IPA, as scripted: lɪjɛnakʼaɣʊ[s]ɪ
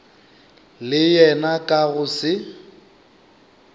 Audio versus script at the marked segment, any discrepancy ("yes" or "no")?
no